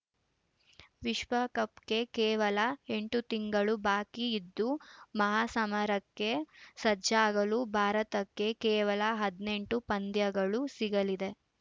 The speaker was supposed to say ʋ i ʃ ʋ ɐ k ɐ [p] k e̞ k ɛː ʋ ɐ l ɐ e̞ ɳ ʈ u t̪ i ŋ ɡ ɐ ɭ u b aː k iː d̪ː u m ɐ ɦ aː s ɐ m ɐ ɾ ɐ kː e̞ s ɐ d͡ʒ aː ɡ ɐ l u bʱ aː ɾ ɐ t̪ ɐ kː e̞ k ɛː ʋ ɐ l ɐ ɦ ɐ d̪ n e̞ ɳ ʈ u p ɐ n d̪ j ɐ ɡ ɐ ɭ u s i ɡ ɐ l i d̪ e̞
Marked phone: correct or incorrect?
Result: correct